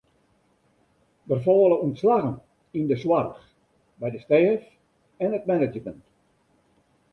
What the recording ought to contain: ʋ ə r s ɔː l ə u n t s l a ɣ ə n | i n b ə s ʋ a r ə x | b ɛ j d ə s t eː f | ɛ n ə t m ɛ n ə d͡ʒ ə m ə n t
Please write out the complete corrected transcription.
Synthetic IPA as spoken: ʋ ə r f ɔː l ə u n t s l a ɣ ə n | i n d ə s w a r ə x | b ɛ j d ə s t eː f | ɛ n ə t m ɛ n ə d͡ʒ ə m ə n t